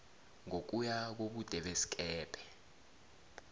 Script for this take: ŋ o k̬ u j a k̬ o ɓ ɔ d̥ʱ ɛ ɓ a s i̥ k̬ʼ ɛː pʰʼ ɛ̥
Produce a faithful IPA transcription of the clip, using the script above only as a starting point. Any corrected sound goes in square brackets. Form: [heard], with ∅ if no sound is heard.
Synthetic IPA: ŋ o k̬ u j a k̬ o ɓ [u] d̥ʱ ɛ ɓ [e] s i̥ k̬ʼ ɛː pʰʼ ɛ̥